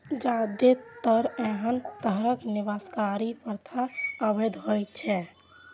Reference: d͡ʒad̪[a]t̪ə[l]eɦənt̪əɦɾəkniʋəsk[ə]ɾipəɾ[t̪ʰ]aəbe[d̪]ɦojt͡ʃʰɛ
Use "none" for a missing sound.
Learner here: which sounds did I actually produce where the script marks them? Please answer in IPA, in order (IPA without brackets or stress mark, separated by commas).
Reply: e, ɾ, a, t̪ʰ, d̪